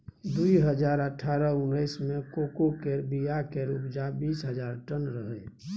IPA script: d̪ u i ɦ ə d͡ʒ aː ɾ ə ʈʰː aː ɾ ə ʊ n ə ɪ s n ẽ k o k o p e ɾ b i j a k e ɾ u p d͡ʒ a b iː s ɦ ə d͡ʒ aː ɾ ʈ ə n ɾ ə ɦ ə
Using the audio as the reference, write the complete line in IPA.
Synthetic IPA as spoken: d̪ u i ɦ ə d͡ʒ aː ɾ ə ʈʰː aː ɾ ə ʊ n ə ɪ s m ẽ k o k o k e ɾ b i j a k e ɾ u p d͡ʒ a b iː s ɦ ə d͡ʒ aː ɾ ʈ ə n ɾ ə ɦ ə